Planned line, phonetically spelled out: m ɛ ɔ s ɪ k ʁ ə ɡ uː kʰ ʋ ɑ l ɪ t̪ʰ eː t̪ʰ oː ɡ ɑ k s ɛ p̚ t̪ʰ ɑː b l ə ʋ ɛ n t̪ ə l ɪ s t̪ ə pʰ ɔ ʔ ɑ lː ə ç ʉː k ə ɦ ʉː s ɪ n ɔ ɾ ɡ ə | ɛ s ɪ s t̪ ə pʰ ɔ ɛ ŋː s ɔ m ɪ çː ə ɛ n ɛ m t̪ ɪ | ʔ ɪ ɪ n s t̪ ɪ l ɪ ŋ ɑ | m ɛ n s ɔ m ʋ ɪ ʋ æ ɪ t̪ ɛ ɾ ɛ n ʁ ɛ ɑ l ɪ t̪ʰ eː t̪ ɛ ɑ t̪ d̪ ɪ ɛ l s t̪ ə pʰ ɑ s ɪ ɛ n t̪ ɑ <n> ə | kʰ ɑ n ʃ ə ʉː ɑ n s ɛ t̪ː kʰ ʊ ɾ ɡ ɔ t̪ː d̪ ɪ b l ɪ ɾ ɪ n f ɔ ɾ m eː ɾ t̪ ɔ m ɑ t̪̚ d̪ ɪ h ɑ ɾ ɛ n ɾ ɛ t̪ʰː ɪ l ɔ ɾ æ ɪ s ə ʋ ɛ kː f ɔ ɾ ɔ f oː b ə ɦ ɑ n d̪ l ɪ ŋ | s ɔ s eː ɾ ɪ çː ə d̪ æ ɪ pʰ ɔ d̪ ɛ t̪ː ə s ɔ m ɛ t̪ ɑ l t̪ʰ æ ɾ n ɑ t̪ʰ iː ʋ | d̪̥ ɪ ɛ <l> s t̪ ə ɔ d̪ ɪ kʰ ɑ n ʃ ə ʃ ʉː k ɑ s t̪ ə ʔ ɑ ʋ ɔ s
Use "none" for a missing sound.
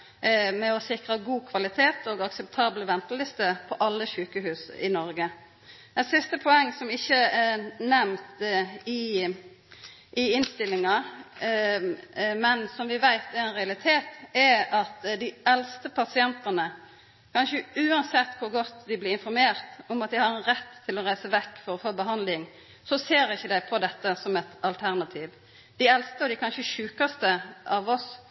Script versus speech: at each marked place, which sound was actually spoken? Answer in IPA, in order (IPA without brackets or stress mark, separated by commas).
n, l